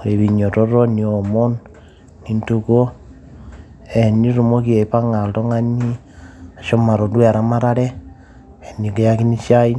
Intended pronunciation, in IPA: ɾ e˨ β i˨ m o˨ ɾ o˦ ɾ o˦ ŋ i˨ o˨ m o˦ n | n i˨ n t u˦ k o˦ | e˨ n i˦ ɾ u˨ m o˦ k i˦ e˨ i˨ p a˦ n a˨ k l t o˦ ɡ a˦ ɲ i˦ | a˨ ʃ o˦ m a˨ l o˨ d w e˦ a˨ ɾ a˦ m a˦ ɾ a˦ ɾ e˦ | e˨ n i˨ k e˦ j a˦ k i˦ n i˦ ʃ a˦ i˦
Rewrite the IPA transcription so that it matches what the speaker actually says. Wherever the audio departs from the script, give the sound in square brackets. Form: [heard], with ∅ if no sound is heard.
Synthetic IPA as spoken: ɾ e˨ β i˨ [ɲ] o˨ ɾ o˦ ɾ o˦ [n] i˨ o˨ m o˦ n | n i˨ n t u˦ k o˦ | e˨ n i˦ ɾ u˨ m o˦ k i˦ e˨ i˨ p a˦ [ŋ] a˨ [∅] l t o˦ [ŋ] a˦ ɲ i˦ | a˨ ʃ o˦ m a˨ [ɾ] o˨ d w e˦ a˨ ɾ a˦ m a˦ ɾ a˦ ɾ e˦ | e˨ n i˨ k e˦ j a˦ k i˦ n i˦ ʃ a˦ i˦